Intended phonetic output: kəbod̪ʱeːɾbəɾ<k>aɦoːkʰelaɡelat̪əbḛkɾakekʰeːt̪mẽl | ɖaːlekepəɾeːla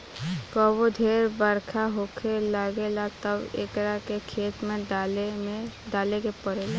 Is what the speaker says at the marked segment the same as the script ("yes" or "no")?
no